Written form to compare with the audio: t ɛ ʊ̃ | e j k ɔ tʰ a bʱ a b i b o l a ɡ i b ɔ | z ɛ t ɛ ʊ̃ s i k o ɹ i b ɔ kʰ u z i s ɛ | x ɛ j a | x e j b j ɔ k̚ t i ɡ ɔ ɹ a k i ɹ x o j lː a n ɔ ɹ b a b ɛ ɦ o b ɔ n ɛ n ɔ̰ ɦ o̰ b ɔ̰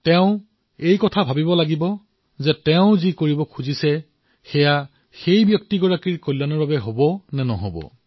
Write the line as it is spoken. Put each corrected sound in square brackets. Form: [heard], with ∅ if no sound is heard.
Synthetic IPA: t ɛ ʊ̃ | e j k ɔ tʰ a bʱ a b i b [ɔ] l a ɡ i b ɔ | z ɛ t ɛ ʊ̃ [z] i k o ɹ i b ɔ kʰ u z i s ɛ | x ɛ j a | x e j b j ɔ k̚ t i ɡ ɔ ɹ a k i ɹ [k] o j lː a n ɔ ɹ b a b ɛ ɦ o b ɔ n ɛ n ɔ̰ ɦ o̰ b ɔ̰

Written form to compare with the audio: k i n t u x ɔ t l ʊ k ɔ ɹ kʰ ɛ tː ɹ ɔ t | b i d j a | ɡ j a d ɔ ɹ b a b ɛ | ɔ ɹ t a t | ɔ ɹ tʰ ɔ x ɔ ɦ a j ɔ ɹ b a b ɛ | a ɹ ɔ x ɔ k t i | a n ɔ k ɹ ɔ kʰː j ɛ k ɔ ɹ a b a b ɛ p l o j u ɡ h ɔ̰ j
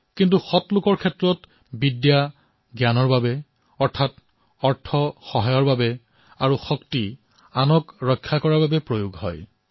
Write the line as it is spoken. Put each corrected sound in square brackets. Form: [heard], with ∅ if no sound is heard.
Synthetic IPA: k i n t u x ɔ t l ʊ k ɔ ɹ kʰ ɛ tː ɹ ɔ t | b i d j a | ɡ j a [n] ɔ ɹ b a b ɛ | ɔ ɹ [tʰ] a t | ɔ ɹ tʰ ɔ x ɔ ɦ a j ɔ ɹ b a b ɛ | a ɹ [u] x ɔ k t i | a n ɔ k ɹ ɔ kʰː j [a] k ɔ ɹ a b a b ɛ p [ɹ] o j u ɡ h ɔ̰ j

